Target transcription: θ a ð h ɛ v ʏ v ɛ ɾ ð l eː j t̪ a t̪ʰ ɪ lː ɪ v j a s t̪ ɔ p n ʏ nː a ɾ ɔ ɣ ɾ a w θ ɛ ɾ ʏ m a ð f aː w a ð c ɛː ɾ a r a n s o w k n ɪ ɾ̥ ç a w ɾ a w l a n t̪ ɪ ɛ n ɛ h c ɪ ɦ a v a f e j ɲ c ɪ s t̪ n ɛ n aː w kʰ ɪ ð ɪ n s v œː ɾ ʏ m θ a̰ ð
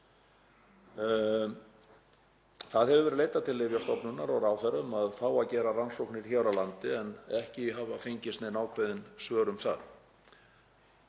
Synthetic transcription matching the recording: θ a ð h ɛ v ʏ v ɛ ɾ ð l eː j t̪ a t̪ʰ ɪ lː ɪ v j a s t̪ ɔ p n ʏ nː a ɾ ɔ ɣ ɾ a w θ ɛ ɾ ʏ m a ð f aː w a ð c ɛː ɾ a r a n s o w k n ɪ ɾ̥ ç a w ɾ a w l a n t̪ ɪ ɛ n ɛ h c ɪ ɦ a v a f e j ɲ c ɪ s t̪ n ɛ n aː w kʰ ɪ ð ɪ n s v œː ɾ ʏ m θ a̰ ð